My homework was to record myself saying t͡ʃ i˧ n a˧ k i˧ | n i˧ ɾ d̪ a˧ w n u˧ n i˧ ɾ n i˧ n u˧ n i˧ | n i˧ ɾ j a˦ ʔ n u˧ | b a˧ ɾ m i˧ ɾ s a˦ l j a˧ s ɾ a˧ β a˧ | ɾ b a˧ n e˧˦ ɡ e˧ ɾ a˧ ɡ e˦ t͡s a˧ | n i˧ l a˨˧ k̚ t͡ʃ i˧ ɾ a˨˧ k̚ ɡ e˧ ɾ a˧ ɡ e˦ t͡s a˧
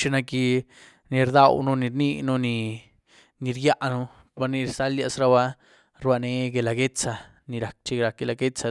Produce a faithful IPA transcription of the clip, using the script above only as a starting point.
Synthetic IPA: t͡ʃ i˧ n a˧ k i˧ | n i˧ ɾ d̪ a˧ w n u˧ n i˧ ɾ n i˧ n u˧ n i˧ | n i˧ ɾ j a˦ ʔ n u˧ | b a˧ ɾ n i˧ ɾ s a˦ l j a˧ s ɾ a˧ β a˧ | ɾ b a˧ n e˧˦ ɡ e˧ l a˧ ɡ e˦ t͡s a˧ | n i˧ ɾ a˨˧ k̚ t͡ʃ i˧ ɾ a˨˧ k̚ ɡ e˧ l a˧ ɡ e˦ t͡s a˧